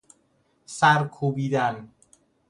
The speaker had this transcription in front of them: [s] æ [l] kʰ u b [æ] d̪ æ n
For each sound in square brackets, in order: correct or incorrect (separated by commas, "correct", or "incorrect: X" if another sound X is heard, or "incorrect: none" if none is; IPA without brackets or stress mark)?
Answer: correct, incorrect: ɾ, incorrect: i